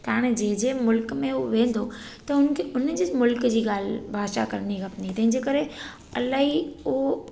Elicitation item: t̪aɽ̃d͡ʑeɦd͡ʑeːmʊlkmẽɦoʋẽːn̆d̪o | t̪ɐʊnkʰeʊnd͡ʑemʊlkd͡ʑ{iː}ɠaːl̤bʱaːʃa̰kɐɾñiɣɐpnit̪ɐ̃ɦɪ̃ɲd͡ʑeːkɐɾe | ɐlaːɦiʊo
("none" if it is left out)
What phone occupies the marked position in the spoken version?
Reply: iː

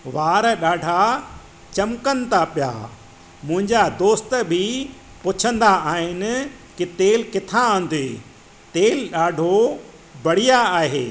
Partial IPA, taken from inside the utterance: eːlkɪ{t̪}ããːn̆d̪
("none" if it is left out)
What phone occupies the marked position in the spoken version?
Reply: t̪ʰ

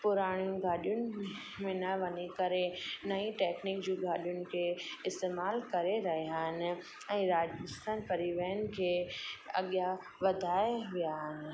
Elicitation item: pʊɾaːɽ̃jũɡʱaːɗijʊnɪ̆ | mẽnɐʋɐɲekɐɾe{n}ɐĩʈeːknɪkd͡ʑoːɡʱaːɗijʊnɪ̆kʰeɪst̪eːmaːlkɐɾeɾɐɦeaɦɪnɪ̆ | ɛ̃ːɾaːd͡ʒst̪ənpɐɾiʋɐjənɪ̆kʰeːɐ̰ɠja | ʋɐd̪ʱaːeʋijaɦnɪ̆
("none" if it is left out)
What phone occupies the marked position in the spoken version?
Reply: n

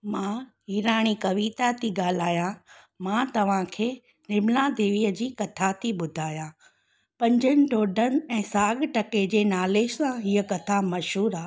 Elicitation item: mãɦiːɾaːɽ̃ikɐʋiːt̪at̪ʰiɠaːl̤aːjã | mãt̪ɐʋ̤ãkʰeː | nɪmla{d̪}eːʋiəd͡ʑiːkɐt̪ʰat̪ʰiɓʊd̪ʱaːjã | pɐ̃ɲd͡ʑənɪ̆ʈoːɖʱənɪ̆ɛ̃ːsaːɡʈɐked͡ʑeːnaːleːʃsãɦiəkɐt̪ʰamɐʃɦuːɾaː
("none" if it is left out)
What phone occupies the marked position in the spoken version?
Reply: d̪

